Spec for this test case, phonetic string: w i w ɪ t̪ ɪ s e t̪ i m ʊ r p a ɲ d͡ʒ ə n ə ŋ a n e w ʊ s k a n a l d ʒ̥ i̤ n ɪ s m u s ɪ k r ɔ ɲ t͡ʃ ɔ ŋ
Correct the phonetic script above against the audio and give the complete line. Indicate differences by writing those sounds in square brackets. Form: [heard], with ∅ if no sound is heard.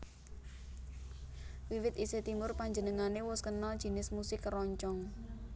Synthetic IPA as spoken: w i w ɪ t̪ [i] s e t̪ i m ʊ r p a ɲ d͡ʒ ə n ə ŋ a n e w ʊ s k [ə] n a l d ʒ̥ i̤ n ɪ s m u s ɪ k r ɔ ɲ t͡ʃ ɔ ŋ